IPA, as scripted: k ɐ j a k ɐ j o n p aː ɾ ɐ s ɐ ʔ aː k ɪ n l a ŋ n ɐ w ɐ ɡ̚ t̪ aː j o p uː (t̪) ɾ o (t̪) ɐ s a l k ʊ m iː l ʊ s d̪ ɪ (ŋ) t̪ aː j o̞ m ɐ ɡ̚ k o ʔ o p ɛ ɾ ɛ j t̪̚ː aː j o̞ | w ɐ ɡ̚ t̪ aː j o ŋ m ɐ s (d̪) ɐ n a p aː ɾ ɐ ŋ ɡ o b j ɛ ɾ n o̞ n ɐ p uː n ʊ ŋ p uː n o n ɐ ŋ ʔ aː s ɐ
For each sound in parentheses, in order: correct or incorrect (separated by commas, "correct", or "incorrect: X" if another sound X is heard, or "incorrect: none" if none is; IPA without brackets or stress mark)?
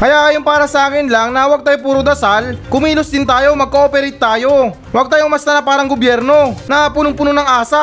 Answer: incorrect: none, incorrect: d̪, incorrect: n, incorrect: t̪